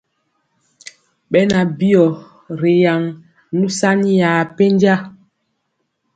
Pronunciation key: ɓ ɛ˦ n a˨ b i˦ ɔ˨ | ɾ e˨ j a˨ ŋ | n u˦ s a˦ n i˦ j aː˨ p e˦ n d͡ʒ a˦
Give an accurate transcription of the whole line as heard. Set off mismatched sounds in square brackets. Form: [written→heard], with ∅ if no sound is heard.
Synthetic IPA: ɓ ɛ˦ n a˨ b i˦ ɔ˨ | ɾ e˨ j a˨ ŋ | n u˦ s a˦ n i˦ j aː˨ p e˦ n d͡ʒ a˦